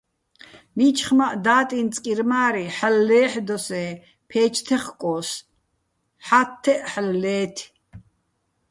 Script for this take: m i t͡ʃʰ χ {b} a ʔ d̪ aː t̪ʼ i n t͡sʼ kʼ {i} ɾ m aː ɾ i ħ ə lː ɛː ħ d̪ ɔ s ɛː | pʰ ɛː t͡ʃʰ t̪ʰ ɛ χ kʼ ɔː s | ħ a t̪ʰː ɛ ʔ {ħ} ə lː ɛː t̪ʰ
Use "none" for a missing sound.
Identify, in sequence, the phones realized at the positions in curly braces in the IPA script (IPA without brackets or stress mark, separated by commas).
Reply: m, i, ħ